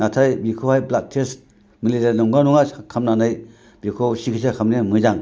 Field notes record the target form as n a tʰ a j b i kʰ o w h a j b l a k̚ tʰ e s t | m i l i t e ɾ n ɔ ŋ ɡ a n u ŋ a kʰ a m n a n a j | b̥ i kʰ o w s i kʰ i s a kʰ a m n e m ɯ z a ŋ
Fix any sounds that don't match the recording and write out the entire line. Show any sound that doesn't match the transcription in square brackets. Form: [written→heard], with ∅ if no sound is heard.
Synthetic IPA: n a tʰ a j b i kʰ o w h a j b l a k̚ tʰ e s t | m i l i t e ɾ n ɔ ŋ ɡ a n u ŋ a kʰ a m n a n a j | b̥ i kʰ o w s i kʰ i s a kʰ a m n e m ɯ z a ŋ